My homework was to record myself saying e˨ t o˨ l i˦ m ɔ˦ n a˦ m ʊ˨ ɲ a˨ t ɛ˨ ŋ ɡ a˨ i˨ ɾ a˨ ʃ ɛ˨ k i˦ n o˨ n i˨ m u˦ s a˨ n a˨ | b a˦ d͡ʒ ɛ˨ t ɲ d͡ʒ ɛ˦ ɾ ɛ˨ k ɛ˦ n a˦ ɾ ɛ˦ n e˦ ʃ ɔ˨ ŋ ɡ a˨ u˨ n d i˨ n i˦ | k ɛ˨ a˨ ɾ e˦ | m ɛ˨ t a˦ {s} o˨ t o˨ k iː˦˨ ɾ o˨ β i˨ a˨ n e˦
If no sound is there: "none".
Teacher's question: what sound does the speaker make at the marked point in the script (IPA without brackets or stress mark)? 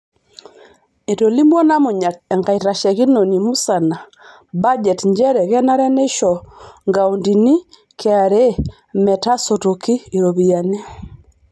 s